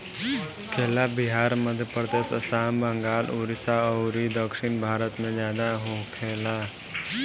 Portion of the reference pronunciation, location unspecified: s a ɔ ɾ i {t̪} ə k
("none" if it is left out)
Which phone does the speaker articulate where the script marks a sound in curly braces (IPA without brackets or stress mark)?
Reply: d̪